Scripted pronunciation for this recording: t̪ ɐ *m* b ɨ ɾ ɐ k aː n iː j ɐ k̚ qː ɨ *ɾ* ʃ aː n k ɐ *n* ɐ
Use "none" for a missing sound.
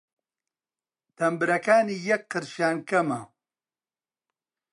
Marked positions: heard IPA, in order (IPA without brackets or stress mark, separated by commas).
m, ɾ, m